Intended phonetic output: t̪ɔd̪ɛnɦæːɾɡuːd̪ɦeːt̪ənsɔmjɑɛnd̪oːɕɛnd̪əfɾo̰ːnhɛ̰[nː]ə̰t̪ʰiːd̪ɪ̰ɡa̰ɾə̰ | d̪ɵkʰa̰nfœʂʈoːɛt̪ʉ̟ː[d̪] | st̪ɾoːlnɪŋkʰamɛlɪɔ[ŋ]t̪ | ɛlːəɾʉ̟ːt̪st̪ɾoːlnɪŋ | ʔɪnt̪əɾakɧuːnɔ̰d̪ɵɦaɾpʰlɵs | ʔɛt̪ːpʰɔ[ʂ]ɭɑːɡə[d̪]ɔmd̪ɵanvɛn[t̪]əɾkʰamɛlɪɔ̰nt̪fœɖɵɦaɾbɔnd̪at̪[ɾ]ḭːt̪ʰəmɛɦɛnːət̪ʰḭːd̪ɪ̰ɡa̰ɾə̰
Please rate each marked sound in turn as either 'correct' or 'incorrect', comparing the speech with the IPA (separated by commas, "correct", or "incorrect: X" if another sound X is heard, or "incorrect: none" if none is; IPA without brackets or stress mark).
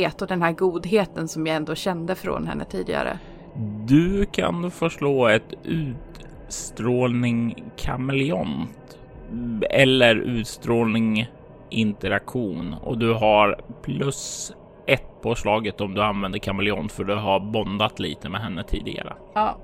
correct, incorrect: t̪, incorrect: n, correct, incorrect: t̪, incorrect: d̪, incorrect: l